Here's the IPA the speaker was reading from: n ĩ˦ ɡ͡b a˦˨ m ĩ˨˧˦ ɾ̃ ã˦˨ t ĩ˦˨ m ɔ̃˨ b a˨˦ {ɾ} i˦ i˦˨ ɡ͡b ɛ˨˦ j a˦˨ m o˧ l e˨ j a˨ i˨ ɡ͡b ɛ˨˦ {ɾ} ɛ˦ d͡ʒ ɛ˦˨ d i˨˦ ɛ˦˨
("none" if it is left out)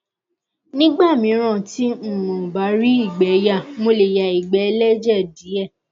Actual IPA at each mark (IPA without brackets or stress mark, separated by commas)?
ɾ, l